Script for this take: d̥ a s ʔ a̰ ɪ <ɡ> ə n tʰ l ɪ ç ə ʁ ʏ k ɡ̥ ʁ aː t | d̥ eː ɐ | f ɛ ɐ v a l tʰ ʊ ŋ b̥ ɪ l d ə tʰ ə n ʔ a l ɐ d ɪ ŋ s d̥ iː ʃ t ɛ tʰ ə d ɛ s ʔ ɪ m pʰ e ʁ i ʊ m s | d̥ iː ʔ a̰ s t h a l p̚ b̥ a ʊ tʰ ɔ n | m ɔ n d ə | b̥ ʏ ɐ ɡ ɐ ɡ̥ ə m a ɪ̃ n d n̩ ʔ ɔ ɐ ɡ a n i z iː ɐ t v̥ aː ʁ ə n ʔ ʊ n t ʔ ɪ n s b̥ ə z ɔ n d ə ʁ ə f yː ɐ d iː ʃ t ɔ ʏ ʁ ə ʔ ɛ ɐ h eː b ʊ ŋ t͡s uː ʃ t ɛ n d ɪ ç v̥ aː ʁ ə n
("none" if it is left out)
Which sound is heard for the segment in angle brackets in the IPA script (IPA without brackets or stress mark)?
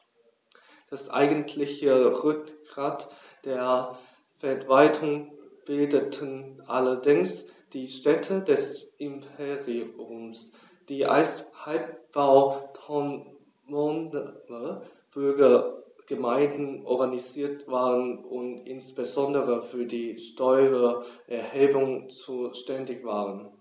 ɡ